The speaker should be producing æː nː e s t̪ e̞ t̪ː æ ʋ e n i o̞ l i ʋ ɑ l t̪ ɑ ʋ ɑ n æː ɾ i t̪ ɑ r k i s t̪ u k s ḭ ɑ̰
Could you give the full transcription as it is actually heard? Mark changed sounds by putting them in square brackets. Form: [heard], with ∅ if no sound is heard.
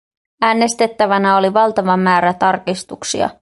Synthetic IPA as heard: æː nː e s t̪ e̞ t̪ː æ ʋ [æ] n [æ] o̞ l i ʋ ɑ l t̪ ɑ ʋ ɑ [m] æː ɾ [æ] t̪ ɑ r k i s t̪ u k s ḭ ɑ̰

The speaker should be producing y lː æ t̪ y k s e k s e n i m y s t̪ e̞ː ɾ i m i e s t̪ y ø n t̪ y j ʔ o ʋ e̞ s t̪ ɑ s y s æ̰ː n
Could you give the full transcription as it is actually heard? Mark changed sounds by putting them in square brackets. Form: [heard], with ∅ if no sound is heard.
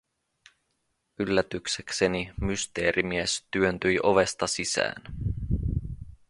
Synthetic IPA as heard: y lː æ t̪ y k s e k s e n i m y s t̪ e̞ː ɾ i m i e s t̪ y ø n t̪ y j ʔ o ʋ e̞ s t̪ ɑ s [i] s æ̰ː n

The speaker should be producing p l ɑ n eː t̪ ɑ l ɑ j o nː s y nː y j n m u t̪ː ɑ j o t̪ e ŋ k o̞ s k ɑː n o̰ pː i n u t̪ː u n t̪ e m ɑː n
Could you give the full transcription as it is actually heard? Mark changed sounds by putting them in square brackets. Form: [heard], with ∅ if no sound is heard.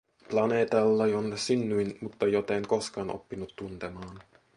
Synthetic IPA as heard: p l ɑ n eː t̪ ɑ [lː] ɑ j o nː s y nː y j n m u t̪ː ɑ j o t̪ e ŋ k o̞ s k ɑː n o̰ pː i n u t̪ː u n t̪ e m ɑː n

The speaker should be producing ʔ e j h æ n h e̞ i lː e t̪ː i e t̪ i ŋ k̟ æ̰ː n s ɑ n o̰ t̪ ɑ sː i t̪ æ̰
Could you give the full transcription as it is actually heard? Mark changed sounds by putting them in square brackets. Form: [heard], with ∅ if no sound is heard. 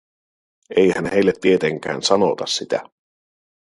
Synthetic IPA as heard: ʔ e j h æ n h e̞ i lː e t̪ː i e t̪ [e] ŋ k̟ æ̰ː n s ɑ n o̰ t̪ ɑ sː i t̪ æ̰

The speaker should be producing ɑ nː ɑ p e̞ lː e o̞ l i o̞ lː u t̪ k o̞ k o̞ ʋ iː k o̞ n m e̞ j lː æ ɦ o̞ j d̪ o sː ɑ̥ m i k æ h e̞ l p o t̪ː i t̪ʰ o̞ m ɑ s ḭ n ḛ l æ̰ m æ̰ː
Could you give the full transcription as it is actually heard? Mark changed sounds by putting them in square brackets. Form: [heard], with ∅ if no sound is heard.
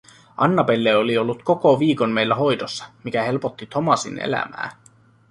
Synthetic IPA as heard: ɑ nː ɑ p e̞ lː e o̞ l i o̞ lː u t̪ k o̞ k o̞ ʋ iː k o̞ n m e̞ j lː æ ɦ o̞ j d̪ o sː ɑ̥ m i k æ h e̞ l p o t̪ː i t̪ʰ o̞ m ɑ s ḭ n ḛ l æ̰ m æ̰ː

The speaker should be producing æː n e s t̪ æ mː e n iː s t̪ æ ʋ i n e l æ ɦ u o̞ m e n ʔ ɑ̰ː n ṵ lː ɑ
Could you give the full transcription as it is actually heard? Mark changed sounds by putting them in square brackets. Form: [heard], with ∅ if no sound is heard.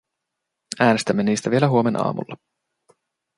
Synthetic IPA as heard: æː n e s t̪ æ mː e n iː s t̪ æ ʋ i [∅] e l æ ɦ u o̞ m e n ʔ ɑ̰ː [m] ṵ lː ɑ

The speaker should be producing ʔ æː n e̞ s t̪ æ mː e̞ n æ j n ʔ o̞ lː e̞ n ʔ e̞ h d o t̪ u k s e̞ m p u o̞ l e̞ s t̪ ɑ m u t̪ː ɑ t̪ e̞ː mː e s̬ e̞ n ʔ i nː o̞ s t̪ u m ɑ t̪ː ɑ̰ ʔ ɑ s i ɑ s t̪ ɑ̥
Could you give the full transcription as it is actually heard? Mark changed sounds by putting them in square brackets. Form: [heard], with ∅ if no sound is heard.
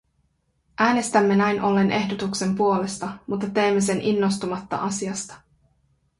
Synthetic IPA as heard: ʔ æː n e̞ s t̪ æ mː e̞ n æ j n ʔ o̞ lː e̞ n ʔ e̞ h d o t̪ u k s e̞ m p u o̞ l e̞ s t̪ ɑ m u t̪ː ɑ t̪ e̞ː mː e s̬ e̞ n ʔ i nː o̞ s t̪ u m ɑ t̪ː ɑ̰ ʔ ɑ s i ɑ s t̪ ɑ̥

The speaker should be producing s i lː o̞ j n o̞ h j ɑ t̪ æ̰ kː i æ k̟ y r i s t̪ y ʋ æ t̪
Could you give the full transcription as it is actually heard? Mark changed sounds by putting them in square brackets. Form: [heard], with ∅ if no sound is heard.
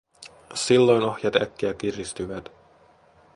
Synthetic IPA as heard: s i lː o̞ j n o̞ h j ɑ t̪ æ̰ kː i æ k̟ [i] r i s t̪ y ʋ æ t̪

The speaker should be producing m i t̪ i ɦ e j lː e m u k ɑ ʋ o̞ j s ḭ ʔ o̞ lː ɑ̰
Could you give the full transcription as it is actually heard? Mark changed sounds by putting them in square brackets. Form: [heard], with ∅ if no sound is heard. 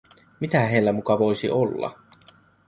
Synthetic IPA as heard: m i t̪ [æ] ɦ e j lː [æ] m u k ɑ ʋ o̞ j s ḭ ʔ o̞ lː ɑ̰

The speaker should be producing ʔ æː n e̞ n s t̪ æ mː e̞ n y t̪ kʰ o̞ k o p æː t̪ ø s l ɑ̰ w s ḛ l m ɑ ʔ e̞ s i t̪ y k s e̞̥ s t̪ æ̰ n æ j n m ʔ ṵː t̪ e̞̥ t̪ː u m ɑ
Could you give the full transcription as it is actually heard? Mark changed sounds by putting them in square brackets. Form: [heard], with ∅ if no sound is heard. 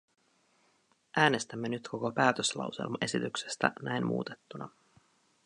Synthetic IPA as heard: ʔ æː n e̞ [∅] s t̪ æ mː e̞ n y t̪ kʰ o̞ k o p æː t̪ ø s l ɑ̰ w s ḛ l m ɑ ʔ e̞ s i t̪ y k s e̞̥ s t̪ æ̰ n æ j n m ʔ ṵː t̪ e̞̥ t̪ː u [n] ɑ

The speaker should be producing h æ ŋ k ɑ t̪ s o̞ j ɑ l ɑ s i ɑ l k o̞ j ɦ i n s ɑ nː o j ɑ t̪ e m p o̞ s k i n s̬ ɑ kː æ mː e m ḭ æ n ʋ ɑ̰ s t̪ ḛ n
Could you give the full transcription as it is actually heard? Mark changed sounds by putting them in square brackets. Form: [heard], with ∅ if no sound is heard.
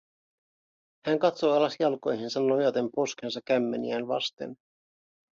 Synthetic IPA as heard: h æ ŋ k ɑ t̪ s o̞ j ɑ l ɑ s [j] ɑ l k o̞ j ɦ i n s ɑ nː o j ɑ t̪ e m p o̞ s k [e] n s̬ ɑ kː æ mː e [n] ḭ æ n ʋ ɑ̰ s t̪ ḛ n

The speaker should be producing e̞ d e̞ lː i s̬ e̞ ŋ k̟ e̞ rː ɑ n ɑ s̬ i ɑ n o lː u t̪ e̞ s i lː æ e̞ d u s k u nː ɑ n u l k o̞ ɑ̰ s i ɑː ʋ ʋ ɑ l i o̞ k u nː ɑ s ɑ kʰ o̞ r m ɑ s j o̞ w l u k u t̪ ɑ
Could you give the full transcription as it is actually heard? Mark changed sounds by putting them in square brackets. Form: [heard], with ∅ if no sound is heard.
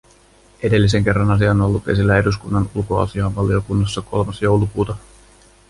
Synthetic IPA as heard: e̞ d e̞ lː i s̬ e̞ ŋ k̟ e̞ rː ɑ n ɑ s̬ i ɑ n o lː u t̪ e̞ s i lː æ e̞ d u s k u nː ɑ n u l k o̞ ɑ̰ s i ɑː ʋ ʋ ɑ l i o̞ k u nː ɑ [sː] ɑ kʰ o̞ [l] m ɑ s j o̞ w l u k [uː] t̪ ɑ

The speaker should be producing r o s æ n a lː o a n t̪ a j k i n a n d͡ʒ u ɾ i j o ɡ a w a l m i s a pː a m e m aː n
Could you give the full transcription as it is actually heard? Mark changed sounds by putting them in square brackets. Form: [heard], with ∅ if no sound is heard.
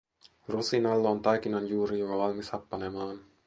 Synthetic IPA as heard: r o s [i] n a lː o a n t̪ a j k i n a n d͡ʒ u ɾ i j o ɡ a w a l m i s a pː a [n] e m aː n

